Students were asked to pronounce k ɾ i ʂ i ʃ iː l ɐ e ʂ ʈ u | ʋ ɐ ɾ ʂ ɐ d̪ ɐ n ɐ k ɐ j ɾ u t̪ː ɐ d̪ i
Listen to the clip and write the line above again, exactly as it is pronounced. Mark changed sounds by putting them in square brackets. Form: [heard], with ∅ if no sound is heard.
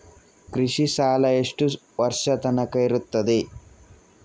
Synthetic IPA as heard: k ɾ i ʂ i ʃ [aː] l ɐ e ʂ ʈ u | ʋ ɐ ɾ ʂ ɐ [t̪] ɐ n ɐ k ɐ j ɾ u t̪ː ɐ d̪ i